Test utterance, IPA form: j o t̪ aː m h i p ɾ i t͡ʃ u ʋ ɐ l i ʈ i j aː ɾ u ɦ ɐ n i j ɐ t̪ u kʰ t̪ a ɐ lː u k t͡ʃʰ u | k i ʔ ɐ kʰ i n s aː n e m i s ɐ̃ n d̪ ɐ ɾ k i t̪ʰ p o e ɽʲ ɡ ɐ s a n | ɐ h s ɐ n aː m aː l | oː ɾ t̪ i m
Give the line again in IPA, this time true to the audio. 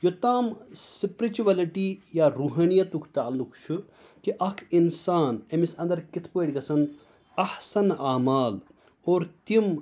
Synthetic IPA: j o t̪ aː m s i p ɾ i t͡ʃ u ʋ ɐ l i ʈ i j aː ɾ u ɦ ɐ n i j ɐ t̪ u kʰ t̪ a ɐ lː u k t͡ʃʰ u | k i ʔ ɐ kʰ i n s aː n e m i s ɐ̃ n d̪ ɐ ɾ k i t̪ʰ p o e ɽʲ ɡ ɐ s ɐ n | ɐ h s ɐ n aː m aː l | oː ɾ t̪ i m